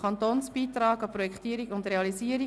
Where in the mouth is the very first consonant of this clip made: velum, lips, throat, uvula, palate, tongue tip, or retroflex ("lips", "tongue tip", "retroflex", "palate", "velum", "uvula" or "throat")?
tongue tip